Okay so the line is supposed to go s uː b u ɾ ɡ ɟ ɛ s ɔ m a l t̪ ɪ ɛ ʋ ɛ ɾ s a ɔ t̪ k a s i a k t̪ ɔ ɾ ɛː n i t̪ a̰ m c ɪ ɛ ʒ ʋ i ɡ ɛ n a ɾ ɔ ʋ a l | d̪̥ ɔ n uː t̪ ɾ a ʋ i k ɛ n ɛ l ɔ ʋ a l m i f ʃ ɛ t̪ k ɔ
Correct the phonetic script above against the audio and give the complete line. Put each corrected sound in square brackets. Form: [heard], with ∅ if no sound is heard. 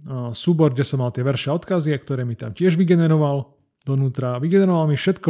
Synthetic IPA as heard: s uː b [ɔ] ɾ ɡ ɟ ɛ s ɔ m a l t̪ ɪ ɛ ʋ ɛ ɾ [ʃ] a ɔ t̪ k a [z] i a k t̪ ɔ ɾ ɛː [m] i t̪ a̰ m c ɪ ɛ ʒ ʋ i ɡ ɛ n [ɛ] ɾ ɔ ʋ a l | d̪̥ ɔ n uː t̪ ɾ a ʋ i [ɡ] ɛ n ɛ [ɾ] ɔ ʋ a l m i f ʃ ɛ t̪ k ɔ